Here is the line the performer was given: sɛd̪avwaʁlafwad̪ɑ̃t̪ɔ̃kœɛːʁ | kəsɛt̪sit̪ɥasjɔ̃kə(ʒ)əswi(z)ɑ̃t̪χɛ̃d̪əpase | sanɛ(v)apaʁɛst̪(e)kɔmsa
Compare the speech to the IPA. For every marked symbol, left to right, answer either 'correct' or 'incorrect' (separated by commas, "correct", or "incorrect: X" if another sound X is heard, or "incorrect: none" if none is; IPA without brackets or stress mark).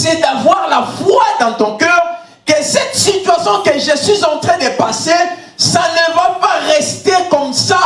correct, correct, correct, correct